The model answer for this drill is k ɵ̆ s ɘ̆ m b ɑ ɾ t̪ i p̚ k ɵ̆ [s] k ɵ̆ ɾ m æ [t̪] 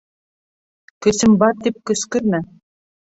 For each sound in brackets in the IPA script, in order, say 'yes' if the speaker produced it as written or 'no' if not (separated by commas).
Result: yes, no